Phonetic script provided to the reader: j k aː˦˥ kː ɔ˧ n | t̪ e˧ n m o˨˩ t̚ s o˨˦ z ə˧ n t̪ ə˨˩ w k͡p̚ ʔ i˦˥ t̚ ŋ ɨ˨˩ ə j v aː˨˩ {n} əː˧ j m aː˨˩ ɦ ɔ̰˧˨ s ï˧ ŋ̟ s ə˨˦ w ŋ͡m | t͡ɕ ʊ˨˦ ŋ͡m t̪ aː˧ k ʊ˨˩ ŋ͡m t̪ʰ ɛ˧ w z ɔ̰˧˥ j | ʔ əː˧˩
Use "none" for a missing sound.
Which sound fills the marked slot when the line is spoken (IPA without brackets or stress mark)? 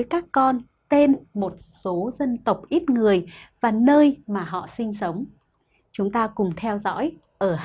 n